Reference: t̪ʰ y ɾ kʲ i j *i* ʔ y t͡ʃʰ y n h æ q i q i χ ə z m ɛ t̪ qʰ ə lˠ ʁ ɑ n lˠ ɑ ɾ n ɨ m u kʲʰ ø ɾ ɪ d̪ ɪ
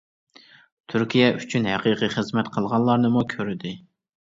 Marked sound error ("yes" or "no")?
yes